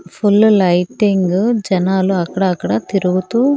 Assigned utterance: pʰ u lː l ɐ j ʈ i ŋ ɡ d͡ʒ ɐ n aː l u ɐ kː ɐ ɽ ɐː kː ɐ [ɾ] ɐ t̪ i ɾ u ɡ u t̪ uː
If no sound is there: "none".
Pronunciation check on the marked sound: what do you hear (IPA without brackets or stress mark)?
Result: ɽ